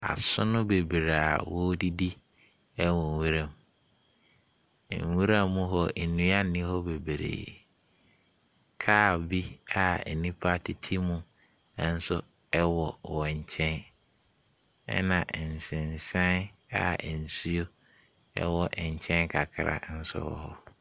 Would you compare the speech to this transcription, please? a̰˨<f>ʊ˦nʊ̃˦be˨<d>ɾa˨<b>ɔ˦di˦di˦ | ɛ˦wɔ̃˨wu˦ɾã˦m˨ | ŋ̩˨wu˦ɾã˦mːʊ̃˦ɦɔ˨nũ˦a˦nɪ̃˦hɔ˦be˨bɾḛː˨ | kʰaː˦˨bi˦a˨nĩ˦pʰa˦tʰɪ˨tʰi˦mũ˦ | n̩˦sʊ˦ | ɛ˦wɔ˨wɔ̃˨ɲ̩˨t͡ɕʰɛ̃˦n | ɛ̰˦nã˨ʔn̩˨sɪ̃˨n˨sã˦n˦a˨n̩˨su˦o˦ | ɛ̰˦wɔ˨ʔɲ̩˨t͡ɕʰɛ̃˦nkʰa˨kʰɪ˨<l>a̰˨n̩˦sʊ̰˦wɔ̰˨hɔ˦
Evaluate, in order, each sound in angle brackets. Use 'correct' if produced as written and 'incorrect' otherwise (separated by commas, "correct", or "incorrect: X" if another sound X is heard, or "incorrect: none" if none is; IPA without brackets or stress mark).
incorrect: s, incorrect: b, incorrect: w, incorrect: ɾ